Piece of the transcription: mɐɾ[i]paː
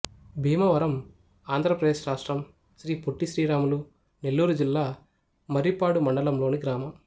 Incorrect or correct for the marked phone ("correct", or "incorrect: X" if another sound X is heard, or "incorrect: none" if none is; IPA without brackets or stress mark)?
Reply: correct